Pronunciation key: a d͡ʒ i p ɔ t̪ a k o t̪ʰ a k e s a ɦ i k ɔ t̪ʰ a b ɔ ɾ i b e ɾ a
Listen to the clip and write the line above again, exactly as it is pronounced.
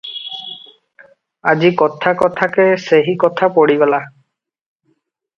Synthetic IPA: a d͡ʒ i k ɔ t̪ʰ a k ɔ t̪ʰ a k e s e ɦ i k ɔ t̪ʰ a p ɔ ɽ i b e l a